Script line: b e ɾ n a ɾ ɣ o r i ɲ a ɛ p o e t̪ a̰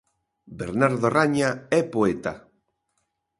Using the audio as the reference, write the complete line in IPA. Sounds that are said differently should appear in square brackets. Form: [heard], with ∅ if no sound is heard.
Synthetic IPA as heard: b e ɾ n a ɾ [ð] o r [a] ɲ a ɛ p o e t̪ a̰

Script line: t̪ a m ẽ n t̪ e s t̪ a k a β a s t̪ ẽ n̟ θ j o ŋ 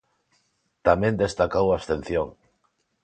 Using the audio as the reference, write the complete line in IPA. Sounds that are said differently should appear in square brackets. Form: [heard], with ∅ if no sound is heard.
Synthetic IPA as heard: t̪ a m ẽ n [d̪] e s t̪ a k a [w] a s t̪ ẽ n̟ θ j o ŋ

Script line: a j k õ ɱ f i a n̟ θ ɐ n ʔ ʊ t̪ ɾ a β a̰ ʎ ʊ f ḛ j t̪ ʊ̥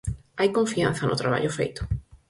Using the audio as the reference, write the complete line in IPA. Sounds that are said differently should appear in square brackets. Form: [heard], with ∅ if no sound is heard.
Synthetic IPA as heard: a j k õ ɱ f i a n̟ θ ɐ n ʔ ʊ t̪ ɾ a β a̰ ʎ ʊ f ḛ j t̪ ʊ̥

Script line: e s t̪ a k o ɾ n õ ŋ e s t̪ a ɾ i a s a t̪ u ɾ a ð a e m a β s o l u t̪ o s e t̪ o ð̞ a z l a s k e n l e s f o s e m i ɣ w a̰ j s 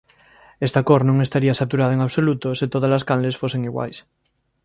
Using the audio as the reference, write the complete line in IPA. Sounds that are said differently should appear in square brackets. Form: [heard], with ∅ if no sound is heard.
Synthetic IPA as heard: e s t̪ a k o ɾ n õ ŋ e s t̪ a ɾ i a s a t̪ u ɾ a ð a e [ŋ] a β s o l u t̪ o s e t̪ o ð̞ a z l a s k [a] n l e s f o s e [ŋ] i ɣ w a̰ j s

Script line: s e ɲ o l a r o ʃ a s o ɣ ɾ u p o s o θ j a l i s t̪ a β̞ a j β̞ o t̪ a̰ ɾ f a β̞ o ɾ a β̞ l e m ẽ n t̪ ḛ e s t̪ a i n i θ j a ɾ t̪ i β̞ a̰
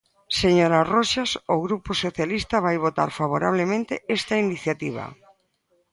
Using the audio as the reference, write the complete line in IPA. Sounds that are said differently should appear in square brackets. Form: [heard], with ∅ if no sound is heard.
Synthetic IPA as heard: s e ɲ o [ɾ] a r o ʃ a s o ɣ ɾ u p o s o θ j a l i s t̪ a β̞ a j β̞ o t̪ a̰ ɾ f a β̞ o ɾ a β̞ l e m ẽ n t̪ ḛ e s t̪ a i n i θ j a [∅] t̪ i β̞ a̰

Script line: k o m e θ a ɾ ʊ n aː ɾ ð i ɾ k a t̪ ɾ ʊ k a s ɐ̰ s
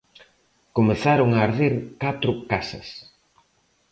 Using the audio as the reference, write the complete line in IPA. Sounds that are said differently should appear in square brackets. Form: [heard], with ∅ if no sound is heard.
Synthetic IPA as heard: k o m e θ a ɾ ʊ [ŋ] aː ɾ ð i ɾ k a t̪ ɾ ʊ k a s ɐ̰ s

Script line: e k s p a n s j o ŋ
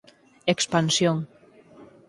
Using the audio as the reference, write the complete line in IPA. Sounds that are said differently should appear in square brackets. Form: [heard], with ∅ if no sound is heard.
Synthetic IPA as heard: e k s p a n s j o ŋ

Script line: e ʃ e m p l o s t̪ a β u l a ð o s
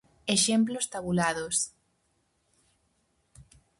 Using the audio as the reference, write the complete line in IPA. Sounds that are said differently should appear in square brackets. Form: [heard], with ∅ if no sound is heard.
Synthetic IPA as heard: e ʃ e m p l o s t̪ a β u l a ð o s

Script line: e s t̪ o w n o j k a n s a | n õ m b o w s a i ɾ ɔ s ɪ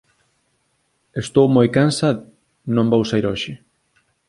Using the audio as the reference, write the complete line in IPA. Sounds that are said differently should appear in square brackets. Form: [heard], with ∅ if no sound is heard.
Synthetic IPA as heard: e s t̪ o w [m] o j k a n s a | n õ m b o w s a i ɾ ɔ [ʃ] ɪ

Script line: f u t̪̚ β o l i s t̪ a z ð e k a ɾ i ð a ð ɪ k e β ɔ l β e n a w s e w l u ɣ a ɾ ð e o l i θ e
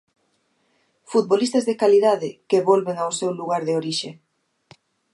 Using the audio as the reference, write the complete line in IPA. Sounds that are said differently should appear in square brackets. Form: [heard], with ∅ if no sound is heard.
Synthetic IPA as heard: f u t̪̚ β o l i s t̪ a z ð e k a [l] i ð a ð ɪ k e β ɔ l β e [ŋ] a w s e w l u ɣ a ɾ ð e o [ɾ] i [ʃ] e

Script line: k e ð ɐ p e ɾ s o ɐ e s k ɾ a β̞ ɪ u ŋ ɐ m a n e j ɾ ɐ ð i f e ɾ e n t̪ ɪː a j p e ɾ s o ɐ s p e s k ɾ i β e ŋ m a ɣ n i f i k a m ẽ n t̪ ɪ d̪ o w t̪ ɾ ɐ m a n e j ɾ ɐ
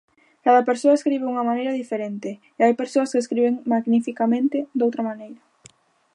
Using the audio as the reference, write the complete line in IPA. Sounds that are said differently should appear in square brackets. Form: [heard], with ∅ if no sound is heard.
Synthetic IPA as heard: k [a] ð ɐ p e ɾ s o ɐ e s k ɾ [i] β̞ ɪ u ŋ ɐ m a n e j ɾ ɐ ð i f e ɾ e n t̪ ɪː a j p e ɾ s o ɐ s [k] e s k ɾ i β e ŋ m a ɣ n i f i k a m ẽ n t̪ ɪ d̪ o w t̪ ɾ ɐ m a n e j ɾ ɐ

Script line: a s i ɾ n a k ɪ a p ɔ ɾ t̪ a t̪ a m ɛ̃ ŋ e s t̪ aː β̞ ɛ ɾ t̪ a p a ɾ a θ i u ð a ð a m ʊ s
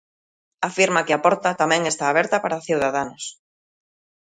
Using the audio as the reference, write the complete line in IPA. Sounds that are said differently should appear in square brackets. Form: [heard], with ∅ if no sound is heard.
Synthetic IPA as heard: a [f] i ɾ [m] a k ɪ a p ɔ ɾ t̪ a t̪ a m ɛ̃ ŋ e s t̪ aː β̞ ɛ ɾ t̪ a p a ɾ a θ i [w] ð a ð a [n] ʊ s

